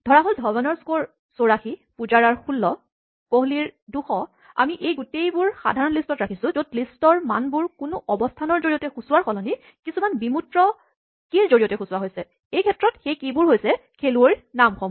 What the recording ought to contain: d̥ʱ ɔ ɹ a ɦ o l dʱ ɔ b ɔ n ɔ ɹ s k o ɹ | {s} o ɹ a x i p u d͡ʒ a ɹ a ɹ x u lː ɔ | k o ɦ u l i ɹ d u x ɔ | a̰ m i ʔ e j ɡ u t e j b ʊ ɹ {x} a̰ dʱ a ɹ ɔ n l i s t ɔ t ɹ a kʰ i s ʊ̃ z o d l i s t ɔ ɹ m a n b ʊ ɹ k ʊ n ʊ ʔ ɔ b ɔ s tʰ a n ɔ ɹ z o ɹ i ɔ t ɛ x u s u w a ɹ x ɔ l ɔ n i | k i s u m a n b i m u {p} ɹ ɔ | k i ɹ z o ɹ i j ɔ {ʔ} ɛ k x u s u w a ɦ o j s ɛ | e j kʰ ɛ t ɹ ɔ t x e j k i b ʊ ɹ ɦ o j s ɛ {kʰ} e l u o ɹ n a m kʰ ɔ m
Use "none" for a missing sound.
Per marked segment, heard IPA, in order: s, x, t, t, kʰ

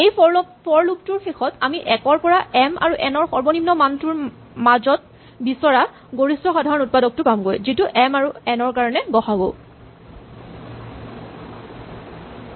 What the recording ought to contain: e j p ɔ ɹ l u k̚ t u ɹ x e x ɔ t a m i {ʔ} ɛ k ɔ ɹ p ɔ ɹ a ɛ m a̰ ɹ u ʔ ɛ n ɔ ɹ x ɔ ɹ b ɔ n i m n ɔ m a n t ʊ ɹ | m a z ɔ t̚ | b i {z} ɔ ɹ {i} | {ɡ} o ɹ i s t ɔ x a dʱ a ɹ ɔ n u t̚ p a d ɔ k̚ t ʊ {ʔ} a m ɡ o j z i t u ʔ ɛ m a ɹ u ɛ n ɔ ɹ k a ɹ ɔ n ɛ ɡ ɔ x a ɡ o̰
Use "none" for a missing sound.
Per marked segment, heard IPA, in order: ʔ, s, a, ɡ, k

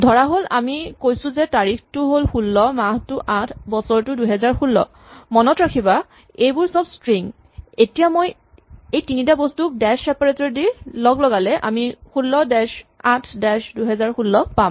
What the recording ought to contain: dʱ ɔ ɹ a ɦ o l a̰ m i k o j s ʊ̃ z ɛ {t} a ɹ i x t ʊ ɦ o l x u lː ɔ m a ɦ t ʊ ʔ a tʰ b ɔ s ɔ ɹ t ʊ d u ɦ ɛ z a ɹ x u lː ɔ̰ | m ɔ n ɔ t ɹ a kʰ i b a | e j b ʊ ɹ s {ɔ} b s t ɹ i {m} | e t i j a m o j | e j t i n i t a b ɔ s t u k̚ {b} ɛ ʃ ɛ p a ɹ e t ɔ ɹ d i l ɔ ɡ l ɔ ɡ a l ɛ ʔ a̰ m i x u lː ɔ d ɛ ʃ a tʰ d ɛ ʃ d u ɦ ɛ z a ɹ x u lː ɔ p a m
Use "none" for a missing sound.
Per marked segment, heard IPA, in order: t, ɔ, ŋ, d

